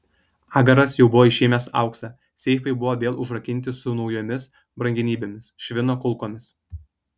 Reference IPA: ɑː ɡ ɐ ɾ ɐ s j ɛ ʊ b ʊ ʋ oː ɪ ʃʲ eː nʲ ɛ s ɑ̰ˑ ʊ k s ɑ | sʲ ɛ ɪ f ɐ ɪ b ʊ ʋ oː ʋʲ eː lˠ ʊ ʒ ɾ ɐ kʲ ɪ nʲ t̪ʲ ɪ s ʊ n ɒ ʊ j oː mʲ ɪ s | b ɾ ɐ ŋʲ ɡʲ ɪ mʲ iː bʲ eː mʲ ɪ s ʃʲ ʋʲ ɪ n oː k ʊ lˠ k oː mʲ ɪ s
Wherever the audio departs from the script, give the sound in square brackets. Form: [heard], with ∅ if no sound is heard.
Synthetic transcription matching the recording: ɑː ɡ ɐ ɾ ɐ s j ɛ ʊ b ʊ ʋ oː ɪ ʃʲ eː [mʲ] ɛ s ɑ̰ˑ ʊ k s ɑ | sʲ ɛ ɪ f ɐ ɪ b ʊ ʋ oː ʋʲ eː lˠ ʊ ʒ ɾ ɐ kʲ ɪ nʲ t̪ʲ ɪ s ʊ n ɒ ʊ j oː mʲ ɪ s | b ɾ ɐ ŋʲ ɡʲ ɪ [nʲ] iː bʲ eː mʲ ɪ s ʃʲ ʋʲ ɪ n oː k ʊ lˠ k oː mʲ ɪ s